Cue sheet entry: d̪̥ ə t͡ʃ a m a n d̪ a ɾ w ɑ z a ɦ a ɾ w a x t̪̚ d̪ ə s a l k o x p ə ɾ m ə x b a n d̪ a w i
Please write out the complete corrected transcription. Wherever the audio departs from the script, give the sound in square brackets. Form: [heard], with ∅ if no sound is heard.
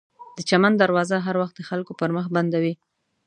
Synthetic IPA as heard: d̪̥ ə t͡ʃ a m a n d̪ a ɾ w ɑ z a ɦ a ɾ w a x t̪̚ d̪ ə [x] a l k o [∅] p ə ɾ m ə x b a n d̪ a w i